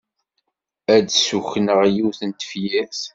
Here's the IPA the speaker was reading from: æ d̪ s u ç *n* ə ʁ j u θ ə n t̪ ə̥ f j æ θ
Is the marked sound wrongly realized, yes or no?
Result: no